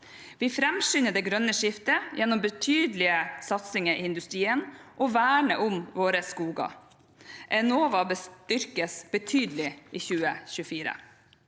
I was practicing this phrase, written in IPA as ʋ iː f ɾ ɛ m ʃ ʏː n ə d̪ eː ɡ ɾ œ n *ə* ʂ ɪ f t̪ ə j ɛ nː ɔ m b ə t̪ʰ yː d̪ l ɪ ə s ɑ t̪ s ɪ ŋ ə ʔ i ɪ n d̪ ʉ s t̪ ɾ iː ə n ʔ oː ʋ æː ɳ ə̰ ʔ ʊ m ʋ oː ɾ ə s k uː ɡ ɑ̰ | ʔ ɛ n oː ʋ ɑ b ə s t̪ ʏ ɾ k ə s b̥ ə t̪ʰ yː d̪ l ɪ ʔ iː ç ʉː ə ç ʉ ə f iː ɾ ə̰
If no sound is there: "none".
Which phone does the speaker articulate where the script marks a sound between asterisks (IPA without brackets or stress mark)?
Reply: ə